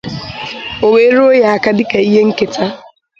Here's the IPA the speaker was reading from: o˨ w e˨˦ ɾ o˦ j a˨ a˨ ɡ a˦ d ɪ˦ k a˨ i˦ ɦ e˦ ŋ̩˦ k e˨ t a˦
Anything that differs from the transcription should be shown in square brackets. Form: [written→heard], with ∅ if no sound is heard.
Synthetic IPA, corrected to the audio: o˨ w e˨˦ ɾ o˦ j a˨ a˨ [ɡ→k] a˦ d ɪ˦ k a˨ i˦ ɦ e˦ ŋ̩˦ k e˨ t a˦